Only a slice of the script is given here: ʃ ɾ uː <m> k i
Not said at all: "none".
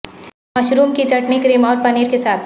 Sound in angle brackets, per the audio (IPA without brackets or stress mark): m